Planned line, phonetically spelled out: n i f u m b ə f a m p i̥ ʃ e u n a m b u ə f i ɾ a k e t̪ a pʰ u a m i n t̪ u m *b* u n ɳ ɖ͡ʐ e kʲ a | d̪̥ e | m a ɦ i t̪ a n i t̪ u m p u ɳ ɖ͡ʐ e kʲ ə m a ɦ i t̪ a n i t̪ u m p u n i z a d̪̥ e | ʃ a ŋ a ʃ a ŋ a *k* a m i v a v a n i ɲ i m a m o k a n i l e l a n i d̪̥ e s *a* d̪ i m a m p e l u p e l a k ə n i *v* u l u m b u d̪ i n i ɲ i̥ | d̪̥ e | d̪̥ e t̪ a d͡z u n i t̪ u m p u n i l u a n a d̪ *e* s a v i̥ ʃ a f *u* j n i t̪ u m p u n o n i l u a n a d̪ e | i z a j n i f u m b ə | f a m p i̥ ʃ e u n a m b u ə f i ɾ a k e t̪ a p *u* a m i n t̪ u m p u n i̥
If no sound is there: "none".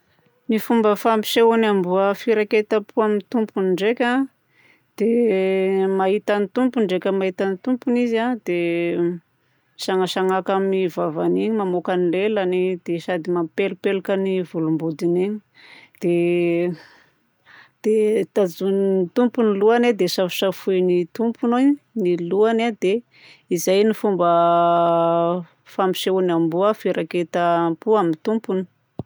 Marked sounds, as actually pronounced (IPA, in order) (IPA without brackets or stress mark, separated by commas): p, k, a, v, e, u, u